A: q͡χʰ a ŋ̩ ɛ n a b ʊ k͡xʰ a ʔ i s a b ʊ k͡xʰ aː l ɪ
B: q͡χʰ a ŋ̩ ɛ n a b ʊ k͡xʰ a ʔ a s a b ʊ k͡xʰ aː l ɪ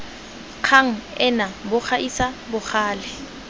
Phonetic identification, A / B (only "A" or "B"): A